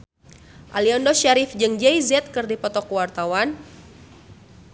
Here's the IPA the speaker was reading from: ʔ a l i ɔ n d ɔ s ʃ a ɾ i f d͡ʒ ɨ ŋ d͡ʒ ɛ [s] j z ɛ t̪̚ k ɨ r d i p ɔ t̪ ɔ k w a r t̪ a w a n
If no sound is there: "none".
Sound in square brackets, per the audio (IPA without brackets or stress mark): none